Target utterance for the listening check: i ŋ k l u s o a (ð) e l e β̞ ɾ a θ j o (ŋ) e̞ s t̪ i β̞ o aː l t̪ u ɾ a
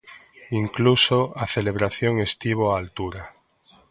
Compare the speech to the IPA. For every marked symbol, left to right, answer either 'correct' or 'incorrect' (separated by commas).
incorrect, correct